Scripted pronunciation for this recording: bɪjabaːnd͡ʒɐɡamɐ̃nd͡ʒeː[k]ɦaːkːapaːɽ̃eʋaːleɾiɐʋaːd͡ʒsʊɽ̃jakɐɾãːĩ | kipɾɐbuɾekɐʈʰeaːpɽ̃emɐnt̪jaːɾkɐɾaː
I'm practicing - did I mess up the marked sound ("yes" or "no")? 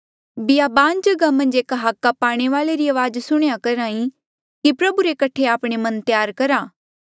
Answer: no